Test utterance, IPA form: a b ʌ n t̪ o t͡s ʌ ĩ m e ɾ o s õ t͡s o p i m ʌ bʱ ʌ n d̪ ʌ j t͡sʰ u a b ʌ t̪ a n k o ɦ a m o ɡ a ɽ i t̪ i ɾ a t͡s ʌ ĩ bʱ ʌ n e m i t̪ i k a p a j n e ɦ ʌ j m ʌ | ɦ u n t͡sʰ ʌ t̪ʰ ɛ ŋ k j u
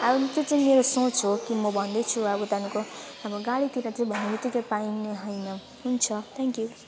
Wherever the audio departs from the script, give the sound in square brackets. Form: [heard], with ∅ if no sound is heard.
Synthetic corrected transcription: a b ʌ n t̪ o t͡s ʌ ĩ m e ɾ o s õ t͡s o [k] i m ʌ bʱ ʌ n d̪ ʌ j t͡sʰ u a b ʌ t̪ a n k o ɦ a m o ɡ a ɽ i t̪ i ɾ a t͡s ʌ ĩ bʱ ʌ n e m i t̪ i k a p a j n e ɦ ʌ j [n] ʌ | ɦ u n t͡sʰ ʌ t̪ʰ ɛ ŋ k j u